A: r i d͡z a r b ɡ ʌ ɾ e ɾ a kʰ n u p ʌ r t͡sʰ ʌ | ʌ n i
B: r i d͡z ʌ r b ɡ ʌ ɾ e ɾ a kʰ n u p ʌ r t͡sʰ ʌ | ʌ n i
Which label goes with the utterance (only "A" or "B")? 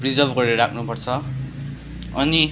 B